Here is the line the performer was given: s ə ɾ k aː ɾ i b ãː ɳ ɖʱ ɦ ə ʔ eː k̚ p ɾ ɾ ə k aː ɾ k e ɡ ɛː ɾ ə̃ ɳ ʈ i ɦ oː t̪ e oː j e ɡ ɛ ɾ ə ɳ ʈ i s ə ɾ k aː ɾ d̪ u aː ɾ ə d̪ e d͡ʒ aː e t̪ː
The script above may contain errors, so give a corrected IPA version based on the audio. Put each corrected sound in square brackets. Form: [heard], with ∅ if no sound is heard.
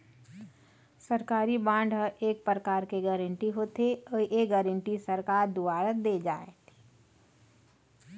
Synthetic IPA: s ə ɾ k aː ɾ i b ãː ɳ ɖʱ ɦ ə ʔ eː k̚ p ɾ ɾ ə k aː ɾ k e ɡ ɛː ɾ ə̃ ɳ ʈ i ɦ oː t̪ e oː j e ɡ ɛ ɾ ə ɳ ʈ i s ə ɾ k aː ɾ d̪ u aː ɾ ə d̪ e d͡ʒ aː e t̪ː